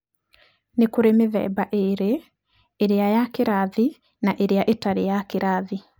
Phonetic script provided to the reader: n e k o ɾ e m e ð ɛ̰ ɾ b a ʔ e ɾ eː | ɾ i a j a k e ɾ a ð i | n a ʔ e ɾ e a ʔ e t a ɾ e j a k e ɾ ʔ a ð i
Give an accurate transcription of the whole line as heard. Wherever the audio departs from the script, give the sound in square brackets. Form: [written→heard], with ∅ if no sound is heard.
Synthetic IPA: n e k o ɾ e m e ð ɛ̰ [ɾ→∅] b a ʔ e ɾ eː | ɾ [i→e] a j a k e ɾ a ð i | n a ʔ e ɾ e a ʔ e t a ɾ e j a k e ɾ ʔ a ð i